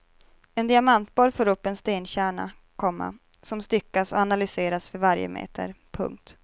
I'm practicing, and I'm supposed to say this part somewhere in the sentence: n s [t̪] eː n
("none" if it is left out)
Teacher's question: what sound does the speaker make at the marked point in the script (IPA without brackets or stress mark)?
t̪